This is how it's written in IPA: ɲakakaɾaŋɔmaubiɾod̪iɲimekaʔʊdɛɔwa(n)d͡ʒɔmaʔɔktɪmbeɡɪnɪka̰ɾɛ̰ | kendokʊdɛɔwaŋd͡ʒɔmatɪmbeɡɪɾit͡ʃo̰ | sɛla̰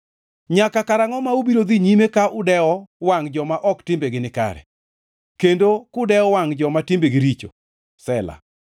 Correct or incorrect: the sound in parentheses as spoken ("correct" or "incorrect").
incorrect